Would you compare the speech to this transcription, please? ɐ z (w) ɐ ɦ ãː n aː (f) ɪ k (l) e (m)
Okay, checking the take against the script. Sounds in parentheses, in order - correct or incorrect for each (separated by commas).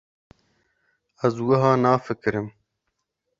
correct, correct, incorrect, correct